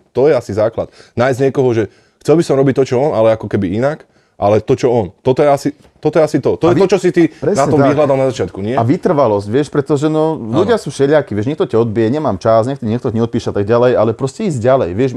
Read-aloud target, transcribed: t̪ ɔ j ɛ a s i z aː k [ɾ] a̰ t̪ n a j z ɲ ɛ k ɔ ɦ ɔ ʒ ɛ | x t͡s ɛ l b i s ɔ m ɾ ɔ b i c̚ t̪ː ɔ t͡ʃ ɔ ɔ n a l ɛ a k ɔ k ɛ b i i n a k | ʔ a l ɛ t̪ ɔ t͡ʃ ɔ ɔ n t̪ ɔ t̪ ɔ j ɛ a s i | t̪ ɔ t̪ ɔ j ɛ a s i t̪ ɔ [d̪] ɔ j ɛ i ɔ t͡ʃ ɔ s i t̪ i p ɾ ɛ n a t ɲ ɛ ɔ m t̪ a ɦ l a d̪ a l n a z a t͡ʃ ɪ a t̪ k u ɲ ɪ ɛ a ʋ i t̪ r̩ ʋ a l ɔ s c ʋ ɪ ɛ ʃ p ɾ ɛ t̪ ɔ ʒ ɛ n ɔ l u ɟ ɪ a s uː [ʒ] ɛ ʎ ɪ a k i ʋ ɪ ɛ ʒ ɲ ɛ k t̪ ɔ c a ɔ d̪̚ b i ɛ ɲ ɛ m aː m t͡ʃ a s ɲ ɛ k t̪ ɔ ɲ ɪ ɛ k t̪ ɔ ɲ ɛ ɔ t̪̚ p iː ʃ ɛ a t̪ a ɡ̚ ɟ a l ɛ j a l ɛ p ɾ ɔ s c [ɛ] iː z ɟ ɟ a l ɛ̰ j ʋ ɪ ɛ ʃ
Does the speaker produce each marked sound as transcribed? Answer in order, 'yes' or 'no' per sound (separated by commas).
no, no, no, yes